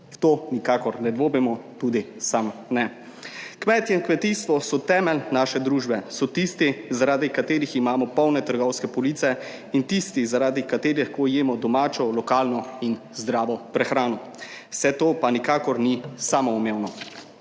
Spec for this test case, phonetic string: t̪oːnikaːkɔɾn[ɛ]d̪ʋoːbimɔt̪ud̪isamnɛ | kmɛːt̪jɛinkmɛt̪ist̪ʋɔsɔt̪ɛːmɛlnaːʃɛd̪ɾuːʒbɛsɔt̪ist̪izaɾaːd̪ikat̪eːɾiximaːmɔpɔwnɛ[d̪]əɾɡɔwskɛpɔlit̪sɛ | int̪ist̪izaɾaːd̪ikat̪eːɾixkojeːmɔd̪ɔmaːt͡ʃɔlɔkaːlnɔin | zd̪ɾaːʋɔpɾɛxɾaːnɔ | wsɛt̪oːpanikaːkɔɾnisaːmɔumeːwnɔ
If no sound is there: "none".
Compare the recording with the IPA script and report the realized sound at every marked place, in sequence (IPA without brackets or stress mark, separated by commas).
ɛ, t̪